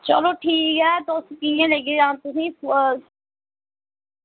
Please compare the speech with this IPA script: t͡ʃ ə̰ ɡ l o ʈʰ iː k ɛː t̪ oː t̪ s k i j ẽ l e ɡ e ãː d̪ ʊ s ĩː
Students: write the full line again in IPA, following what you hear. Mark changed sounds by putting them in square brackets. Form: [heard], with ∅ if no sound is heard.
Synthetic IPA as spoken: t͡ʃ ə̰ [∅] l o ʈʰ iː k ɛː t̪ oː [∅] s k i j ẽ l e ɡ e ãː [t̪] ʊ s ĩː